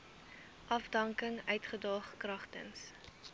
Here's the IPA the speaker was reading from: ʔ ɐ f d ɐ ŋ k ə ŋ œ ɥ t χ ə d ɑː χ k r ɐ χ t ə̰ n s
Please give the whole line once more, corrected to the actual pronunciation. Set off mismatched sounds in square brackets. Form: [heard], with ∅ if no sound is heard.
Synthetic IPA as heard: ʔ ɐ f d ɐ ŋ k ə ŋ œ ɥ t χ ə d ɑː χ k r ɐ χ t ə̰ n s